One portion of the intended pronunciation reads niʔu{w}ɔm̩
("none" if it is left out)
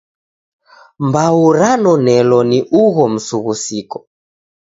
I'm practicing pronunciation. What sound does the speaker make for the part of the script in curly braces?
ɣ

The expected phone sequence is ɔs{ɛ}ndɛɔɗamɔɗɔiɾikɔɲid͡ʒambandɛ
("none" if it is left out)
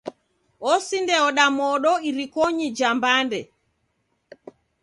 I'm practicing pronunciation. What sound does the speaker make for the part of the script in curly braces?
i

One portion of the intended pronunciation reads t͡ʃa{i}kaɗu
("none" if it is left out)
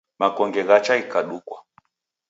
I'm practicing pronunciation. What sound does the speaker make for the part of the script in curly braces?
i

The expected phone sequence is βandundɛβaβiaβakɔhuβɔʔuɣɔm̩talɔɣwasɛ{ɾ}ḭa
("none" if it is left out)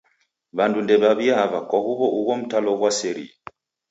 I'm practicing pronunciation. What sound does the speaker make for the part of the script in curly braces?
ɾ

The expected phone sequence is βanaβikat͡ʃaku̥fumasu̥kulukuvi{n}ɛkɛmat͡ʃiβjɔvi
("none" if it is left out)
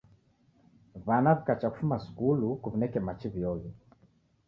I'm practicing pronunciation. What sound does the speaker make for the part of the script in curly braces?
n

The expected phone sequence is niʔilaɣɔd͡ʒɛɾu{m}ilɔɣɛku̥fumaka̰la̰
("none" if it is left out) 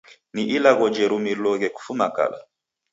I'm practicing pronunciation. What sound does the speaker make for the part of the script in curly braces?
m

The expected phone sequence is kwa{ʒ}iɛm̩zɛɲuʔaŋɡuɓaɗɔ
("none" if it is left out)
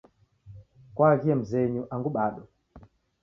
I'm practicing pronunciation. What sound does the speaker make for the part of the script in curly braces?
ɣ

